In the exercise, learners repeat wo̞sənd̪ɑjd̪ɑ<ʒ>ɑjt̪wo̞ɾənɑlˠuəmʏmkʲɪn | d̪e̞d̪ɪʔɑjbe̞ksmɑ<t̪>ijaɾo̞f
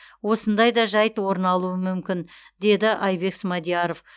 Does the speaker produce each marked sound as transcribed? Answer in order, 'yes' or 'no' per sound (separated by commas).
yes, no